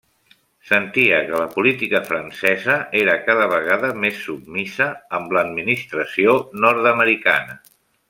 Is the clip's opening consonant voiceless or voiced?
voiceless